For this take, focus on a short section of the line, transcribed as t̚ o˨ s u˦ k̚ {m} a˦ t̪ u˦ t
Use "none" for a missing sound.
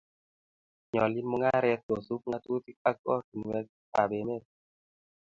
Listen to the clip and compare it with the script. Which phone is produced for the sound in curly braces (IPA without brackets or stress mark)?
ŋ